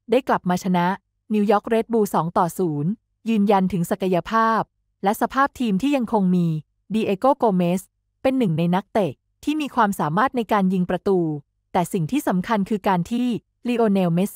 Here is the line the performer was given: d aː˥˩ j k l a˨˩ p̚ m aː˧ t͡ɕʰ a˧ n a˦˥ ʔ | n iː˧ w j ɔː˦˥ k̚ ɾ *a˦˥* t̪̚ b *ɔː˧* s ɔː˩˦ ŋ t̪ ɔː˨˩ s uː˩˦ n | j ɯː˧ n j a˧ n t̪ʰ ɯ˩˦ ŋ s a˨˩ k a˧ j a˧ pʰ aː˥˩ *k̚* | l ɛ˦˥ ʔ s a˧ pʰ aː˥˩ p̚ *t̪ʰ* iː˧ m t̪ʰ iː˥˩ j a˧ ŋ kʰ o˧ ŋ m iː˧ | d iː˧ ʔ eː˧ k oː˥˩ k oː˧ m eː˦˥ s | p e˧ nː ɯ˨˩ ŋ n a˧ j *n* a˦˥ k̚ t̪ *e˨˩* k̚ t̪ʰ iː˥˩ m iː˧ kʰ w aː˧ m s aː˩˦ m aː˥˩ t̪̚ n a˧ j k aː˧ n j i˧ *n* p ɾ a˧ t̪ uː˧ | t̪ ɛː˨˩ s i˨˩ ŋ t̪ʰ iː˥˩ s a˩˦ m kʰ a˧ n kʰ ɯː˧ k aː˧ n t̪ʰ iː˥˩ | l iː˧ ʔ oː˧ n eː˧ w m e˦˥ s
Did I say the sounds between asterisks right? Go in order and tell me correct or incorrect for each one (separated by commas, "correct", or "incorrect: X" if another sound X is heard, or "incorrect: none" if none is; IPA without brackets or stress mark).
incorrect: e˦˥, incorrect: uː˧, incorrect: p̚, correct, correct, correct, incorrect: ŋ